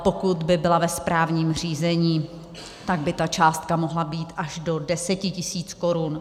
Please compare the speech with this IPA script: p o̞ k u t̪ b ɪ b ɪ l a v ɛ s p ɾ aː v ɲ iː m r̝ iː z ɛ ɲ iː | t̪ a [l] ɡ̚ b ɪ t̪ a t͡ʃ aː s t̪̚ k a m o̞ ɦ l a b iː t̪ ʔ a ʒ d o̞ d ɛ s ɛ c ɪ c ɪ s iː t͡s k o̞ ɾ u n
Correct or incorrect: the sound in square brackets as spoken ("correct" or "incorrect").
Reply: incorrect